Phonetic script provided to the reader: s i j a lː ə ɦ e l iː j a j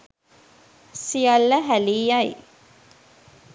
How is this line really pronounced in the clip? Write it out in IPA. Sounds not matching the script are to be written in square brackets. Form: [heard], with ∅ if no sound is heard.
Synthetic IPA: s i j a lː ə ɦ [æ] l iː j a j